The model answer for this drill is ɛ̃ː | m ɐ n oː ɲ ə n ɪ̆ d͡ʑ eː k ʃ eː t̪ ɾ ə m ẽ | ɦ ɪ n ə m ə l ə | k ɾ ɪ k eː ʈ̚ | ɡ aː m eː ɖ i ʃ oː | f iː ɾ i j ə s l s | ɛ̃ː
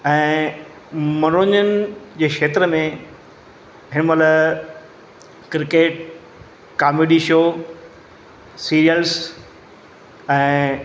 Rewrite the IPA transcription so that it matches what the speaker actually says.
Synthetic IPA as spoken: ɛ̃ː | m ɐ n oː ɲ ə n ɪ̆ d͡ʑ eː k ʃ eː t̪ ɾ ə m ẽ | ɦ ɪ n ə m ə l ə | k ɾ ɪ k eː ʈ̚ | k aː m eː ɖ i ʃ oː | s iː ɾ i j ə l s | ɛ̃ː